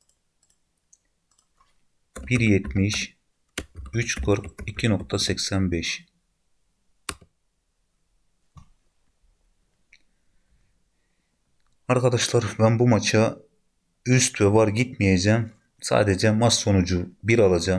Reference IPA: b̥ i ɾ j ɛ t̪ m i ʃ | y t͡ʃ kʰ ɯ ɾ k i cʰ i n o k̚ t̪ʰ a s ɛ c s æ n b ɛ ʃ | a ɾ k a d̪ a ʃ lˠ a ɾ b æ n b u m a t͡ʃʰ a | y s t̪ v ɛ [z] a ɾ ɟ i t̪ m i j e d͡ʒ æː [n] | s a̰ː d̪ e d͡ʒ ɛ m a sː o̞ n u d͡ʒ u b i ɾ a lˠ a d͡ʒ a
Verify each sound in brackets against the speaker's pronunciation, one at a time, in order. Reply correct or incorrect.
incorrect, incorrect

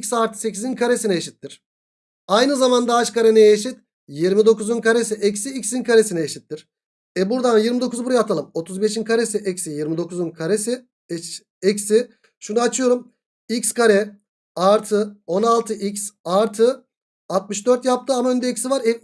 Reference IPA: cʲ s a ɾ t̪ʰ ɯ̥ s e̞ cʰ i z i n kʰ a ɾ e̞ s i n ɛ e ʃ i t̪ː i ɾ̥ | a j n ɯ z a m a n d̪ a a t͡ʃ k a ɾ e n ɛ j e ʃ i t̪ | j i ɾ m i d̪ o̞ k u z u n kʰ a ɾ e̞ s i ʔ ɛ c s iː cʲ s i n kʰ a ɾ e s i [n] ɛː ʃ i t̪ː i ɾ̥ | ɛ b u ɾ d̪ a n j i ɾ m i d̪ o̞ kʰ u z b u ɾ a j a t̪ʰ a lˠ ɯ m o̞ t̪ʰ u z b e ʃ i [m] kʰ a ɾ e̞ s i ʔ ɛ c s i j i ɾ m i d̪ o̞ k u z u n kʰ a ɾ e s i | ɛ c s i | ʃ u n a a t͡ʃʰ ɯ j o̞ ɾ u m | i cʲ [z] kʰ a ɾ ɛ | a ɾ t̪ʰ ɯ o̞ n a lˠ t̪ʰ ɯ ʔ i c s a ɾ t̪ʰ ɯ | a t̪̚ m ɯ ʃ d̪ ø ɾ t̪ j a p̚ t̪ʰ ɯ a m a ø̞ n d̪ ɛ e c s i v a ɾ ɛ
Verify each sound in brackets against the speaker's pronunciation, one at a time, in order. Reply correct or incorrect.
correct, incorrect, incorrect

